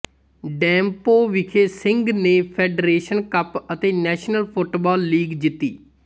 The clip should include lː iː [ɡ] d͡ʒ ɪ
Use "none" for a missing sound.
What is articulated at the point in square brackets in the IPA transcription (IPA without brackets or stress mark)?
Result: ɡ